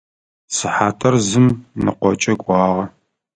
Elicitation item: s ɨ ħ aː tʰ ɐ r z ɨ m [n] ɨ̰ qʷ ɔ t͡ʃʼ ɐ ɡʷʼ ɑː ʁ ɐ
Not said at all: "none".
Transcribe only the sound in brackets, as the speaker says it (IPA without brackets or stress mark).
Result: n